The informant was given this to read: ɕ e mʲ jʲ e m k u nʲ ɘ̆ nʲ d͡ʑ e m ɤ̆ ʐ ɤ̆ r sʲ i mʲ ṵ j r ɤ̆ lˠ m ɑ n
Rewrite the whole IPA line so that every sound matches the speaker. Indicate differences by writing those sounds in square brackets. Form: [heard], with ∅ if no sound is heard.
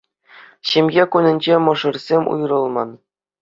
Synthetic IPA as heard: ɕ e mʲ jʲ e [∅] k u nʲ ɘ̆ nʲ d͡ʑ e m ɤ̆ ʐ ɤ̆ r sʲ [e] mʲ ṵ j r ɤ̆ lˠ m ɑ n

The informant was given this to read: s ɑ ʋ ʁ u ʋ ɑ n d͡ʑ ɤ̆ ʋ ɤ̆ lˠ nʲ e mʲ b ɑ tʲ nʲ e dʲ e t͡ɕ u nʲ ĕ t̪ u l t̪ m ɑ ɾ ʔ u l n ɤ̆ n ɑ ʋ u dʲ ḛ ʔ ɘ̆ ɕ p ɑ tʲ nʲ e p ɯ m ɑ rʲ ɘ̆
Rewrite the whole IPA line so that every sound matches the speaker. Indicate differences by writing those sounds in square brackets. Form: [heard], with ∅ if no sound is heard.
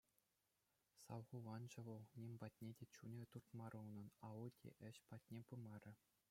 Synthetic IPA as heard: s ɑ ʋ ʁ u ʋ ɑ n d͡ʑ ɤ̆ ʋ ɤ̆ lˠ nʲ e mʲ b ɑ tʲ nʲ e dʲ e t͡ɕ u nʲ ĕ t̪ u [r] t̪ m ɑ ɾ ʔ u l n ɤ̆ n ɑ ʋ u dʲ ḛ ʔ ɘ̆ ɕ p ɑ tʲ nʲ e p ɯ m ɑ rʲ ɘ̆

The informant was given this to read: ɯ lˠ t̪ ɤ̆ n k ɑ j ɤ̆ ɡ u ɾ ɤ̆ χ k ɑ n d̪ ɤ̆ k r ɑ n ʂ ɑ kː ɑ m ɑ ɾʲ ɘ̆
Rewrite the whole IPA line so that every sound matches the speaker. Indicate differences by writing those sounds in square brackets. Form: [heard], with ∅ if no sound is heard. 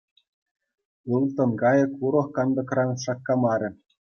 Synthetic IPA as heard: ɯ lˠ t̪ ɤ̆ n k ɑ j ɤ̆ [k] u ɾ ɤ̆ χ k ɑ n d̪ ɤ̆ k r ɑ n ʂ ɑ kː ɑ m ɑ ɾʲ ɘ̆

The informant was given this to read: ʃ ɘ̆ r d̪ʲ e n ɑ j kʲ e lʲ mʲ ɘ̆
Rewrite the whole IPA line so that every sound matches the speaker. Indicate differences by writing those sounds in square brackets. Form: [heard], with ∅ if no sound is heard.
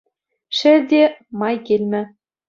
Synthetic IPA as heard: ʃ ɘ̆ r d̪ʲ e [m] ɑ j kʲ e lʲ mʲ ɘ̆

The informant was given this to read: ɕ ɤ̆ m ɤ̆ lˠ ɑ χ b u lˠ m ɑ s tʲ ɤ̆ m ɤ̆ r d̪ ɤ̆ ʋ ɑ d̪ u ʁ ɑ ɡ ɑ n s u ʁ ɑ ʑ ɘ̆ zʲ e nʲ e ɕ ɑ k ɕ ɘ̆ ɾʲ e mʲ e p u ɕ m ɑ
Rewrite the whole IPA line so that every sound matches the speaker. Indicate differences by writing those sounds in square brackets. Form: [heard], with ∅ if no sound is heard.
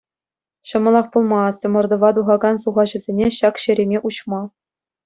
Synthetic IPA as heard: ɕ ɤ̆ m ɤ̆ lˠ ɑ χ [p] u lˠ m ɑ s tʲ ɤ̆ m ɤ̆ r d̪ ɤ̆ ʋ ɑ d̪ u ʁ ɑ ɡ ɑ n s u ʁ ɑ ʑ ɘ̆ zʲ e nʲ e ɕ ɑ k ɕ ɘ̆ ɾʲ e mʲ e [ʔ] u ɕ m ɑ

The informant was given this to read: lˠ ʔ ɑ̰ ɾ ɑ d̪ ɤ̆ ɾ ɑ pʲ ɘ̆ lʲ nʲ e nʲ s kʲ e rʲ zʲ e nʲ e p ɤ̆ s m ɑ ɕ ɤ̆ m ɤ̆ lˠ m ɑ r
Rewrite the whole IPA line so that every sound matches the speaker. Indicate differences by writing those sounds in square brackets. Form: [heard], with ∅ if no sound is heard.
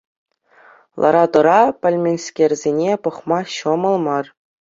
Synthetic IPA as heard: lˠ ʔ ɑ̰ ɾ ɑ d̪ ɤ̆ ɾ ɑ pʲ ɘ̆ lʲ [mʲ] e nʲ s kʲ e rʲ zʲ e nʲ e p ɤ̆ [χ] m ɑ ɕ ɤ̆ m ɤ̆ lˠ m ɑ r

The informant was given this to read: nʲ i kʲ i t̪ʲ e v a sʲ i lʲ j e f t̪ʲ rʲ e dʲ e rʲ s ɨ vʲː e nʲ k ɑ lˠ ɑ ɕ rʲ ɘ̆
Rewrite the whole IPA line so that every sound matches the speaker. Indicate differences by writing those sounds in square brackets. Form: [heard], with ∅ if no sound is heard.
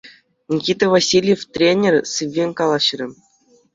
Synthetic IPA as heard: nʲ i kʲ i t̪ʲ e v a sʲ i lʲ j e f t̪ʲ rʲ e [nʲ] e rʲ s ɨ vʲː e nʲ k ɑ lˠ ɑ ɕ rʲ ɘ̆

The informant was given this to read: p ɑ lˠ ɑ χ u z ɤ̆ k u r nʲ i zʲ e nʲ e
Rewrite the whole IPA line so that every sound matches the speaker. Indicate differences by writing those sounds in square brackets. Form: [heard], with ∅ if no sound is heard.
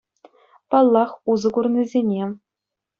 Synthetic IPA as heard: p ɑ [lˠː] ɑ χ u z ɤ̆ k u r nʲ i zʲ e nʲ e

